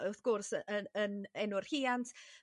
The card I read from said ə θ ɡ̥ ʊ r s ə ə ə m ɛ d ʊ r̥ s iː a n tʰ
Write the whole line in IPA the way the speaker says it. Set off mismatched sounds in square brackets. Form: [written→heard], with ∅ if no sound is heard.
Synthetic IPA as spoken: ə θ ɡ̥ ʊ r s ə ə ə [m→n] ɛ [d→n] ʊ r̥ [s→h] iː a n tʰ